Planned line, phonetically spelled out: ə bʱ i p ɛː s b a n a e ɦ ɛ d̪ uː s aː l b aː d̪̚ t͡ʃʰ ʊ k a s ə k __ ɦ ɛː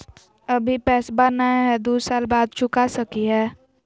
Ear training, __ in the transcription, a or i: i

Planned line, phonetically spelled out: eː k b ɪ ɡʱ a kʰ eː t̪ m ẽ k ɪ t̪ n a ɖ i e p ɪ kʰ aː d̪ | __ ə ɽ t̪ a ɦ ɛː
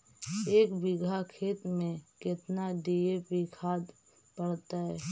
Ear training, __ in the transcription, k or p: p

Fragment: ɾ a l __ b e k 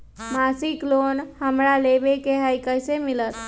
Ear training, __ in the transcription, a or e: e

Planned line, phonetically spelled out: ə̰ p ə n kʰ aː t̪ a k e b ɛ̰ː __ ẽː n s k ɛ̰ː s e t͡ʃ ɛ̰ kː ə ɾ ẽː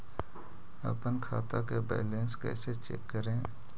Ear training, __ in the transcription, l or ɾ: l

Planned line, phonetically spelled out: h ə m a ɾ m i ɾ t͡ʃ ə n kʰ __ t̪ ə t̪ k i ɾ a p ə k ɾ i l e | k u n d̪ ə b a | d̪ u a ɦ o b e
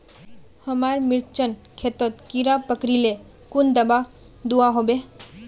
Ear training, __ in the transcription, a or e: e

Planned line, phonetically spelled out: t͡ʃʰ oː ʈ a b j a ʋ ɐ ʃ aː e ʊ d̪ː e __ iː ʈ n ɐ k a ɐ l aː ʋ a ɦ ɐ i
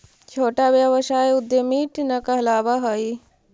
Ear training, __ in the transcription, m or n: m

